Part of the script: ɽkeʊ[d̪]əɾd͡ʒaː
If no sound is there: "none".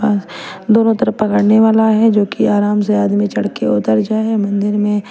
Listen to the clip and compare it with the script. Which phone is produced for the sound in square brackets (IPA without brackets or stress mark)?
t̪